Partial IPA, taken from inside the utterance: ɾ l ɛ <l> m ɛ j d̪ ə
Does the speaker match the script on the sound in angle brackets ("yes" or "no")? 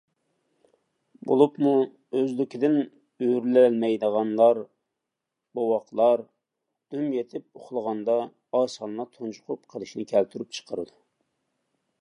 yes